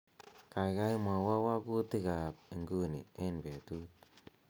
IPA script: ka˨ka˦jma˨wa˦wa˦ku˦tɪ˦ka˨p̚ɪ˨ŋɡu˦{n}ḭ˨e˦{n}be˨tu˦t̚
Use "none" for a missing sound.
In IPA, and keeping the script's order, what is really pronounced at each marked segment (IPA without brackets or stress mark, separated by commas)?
n, n